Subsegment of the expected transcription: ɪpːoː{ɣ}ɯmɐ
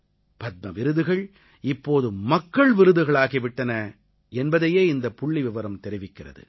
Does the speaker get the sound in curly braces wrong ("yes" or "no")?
yes